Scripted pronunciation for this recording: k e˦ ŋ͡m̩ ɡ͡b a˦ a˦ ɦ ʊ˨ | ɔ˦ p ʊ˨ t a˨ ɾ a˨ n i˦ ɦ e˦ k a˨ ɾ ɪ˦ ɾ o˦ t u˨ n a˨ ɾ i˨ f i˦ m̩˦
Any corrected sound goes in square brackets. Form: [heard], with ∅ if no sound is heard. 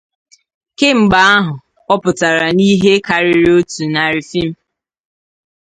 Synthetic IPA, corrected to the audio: k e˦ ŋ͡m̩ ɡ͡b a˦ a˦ ɦ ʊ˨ | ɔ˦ p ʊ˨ t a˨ ɾ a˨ n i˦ ɦ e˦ k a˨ ɾ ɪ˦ ɾ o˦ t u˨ n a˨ ɾ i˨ f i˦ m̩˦